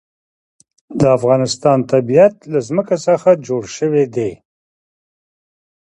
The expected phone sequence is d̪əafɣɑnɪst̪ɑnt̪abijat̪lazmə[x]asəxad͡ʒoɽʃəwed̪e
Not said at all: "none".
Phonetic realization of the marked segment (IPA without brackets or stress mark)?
k